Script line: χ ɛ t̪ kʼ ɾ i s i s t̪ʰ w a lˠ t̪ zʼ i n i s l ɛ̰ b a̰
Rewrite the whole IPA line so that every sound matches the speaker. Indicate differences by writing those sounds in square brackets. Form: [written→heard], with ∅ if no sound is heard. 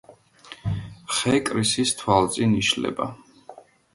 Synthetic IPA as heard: χ ɛ [t̪→∅] kʼ ɾ i s i s t̪ʰ w a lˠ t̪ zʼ i n i [s→ʃ] l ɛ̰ b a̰